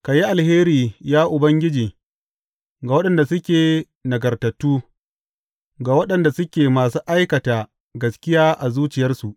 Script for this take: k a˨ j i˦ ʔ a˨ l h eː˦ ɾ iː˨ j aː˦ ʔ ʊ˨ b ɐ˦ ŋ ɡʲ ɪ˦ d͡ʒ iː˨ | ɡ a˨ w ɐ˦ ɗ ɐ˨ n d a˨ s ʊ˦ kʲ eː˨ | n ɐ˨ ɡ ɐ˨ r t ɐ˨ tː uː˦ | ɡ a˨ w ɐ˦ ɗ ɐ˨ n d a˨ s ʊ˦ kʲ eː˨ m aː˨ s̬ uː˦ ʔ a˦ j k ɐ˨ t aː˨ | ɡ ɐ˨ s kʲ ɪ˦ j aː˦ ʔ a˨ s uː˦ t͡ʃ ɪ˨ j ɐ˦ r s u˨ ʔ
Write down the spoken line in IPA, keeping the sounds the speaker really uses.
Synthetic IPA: k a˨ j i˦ ʔ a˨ l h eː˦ ɾ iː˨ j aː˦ ʔ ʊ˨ b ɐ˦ ŋ ɡʲ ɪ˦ d͡ʒ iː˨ | ɡ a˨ w ɐ˦ ɗ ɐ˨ n d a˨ s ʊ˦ kʲ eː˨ | n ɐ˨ ɡ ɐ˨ r t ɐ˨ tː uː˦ | ɡ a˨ w ɐ˦ ɗ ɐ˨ n d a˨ s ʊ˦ kʲ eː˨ m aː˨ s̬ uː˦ ʔ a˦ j k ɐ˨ t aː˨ | ɡ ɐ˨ s kʲ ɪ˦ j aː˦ ʔ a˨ z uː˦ t͡ʃ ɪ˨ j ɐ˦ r s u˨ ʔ